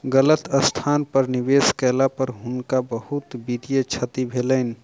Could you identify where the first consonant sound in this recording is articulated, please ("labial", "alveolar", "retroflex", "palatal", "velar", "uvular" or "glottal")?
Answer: velar